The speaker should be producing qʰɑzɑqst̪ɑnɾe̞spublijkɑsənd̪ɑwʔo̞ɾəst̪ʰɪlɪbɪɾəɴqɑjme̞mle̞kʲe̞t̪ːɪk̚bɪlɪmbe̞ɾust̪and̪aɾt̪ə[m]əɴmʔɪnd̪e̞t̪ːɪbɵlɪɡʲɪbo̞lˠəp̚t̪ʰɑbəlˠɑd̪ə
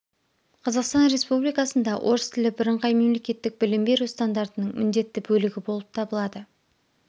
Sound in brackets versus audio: incorrect: n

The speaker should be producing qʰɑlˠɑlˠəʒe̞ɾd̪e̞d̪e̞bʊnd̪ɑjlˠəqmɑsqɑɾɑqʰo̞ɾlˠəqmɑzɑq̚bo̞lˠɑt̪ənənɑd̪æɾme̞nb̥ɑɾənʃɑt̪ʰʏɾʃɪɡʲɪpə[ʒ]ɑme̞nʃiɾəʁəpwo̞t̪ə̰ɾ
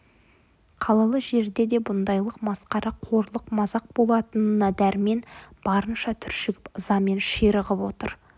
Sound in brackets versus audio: incorrect: z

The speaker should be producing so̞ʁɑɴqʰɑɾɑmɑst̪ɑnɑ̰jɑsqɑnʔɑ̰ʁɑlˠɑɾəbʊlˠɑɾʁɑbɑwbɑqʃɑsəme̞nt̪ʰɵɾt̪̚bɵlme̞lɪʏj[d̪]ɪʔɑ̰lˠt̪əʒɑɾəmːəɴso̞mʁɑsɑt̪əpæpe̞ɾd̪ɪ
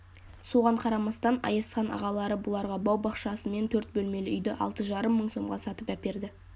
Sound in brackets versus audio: correct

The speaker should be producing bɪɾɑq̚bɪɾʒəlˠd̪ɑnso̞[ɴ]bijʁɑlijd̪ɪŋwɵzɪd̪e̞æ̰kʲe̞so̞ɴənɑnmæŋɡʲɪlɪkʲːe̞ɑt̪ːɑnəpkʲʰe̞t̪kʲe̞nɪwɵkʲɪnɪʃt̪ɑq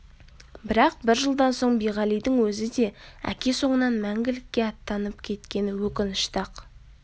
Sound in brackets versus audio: correct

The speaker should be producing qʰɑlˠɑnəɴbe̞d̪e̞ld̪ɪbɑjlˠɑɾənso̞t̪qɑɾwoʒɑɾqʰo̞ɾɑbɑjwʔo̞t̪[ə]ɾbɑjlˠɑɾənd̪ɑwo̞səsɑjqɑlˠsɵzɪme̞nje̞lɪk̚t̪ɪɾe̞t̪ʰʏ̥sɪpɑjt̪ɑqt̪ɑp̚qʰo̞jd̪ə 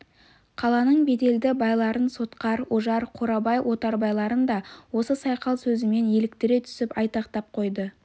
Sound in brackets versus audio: incorrect: ɑ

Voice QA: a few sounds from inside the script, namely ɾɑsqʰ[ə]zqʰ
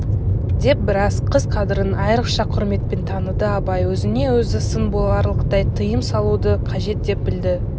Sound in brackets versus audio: correct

